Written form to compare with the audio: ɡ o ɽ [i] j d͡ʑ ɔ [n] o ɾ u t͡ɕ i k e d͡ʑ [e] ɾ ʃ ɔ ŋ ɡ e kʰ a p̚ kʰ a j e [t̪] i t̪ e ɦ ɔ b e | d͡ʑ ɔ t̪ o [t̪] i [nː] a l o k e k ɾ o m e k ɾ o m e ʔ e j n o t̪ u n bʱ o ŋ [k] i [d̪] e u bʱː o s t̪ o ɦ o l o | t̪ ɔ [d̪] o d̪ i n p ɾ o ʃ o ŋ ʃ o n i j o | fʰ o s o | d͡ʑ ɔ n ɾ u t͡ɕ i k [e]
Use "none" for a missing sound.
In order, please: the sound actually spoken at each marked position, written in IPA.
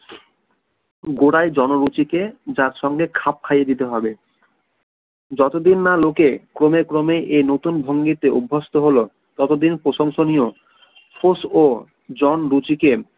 a, n, a, d̪, d̪, nː, ɡ, t̪, t̪, e

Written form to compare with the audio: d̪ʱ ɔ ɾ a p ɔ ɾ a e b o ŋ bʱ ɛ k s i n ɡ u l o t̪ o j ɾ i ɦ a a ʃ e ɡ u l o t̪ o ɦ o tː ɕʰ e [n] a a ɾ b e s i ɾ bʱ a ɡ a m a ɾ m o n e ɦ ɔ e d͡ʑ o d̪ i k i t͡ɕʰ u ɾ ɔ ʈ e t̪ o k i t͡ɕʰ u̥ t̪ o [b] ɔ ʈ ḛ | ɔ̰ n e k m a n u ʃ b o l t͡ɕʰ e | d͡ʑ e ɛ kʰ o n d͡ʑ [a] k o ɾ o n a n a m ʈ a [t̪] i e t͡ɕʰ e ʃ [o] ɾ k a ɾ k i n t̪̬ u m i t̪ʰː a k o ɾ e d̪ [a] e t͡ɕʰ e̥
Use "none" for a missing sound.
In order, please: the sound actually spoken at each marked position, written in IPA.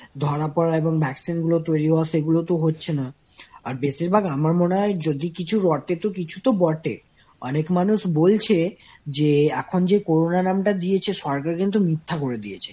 n, b, e, d̪, ɔ, i

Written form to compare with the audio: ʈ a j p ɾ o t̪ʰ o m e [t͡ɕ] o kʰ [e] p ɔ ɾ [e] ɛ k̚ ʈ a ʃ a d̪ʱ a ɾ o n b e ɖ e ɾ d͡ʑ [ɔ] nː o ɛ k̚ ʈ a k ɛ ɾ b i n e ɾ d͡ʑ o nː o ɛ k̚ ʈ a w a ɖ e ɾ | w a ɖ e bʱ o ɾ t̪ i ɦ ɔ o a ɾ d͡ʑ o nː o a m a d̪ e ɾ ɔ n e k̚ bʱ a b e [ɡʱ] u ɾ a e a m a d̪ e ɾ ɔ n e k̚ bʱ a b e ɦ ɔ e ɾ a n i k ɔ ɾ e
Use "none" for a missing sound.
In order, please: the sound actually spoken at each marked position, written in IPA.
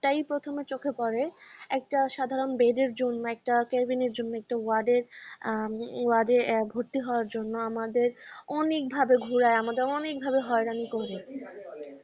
t͡ɕ, e, e, o, ɡʱ

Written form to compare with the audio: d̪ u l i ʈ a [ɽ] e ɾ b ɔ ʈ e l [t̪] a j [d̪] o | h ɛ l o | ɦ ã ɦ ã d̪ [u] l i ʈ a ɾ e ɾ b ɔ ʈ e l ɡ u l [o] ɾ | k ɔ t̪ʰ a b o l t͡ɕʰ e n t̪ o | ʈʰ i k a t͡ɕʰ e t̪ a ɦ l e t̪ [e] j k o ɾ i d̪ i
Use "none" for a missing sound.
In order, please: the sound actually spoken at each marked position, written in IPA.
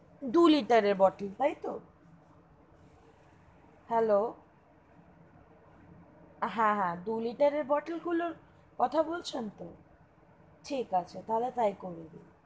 ɾ, t̪, t̪, u, o, a

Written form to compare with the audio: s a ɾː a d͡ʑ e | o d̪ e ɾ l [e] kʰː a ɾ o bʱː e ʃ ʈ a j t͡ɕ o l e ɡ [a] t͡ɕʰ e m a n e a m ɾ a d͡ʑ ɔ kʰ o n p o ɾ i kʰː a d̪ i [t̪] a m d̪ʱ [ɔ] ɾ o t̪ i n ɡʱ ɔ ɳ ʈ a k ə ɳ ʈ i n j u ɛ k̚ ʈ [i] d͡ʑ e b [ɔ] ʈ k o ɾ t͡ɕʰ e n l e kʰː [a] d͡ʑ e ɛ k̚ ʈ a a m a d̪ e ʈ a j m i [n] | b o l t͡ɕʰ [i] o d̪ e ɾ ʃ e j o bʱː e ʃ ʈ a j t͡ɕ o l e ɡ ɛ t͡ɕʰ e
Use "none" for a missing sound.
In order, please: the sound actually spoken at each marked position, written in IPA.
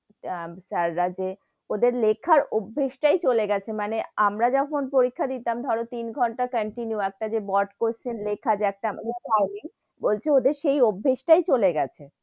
e, ɛ, t̪, ɔ, a, ɔ, a, ŋ, e

